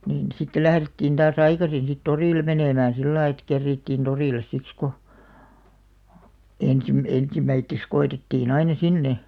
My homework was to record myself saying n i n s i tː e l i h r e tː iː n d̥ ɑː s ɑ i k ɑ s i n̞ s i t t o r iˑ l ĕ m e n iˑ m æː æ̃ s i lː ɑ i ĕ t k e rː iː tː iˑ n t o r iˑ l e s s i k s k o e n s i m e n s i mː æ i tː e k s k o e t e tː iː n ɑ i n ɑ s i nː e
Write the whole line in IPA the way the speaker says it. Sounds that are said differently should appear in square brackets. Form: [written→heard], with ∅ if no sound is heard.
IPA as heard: n [i→iː] n s i tː e l [i→æ] h r e tː iː n d̥ ɑː s ɑ i k ɑ s i n̞ s i t t o r iˑ l ĕ m e n [iˑ→eˑ] m æː æ̃ s i lː ɑ i ĕ t k e rː iː tː iˑ n t o r iˑ l e s s i k s k o e n s i m e n s i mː æ i tː e k s k o e t e tː iː n ɑ i n ɑ s i nː e